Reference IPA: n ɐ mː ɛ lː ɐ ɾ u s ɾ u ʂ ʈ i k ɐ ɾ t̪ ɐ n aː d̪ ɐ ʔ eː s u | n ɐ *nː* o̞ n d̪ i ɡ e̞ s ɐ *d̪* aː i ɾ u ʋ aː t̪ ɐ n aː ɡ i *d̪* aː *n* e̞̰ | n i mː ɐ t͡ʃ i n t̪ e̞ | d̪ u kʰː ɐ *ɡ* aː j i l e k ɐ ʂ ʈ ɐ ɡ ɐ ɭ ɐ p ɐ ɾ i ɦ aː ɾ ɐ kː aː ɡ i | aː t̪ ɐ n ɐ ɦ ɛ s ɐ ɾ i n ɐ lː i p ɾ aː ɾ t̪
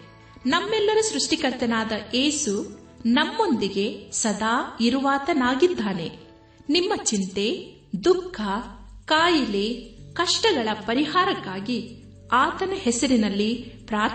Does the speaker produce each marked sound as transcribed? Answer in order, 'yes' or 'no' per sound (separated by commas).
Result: no, yes, no, yes, no